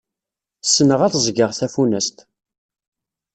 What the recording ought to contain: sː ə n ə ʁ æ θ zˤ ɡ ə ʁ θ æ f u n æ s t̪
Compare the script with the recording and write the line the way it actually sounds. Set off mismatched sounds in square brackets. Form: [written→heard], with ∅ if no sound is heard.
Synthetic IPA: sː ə n ə ʁ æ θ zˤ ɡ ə ʁ θ æ f u n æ s t̪